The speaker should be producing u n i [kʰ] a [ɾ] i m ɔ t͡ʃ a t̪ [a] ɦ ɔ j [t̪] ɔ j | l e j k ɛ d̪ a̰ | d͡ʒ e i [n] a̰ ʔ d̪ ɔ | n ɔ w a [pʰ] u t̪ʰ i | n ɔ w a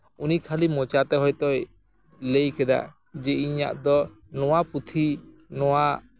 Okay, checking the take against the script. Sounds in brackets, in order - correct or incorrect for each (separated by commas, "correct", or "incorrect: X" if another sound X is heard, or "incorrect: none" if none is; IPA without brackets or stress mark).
correct, incorrect: l, incorrect: ɛ, correct, incorrect: ɲ, incorrect: p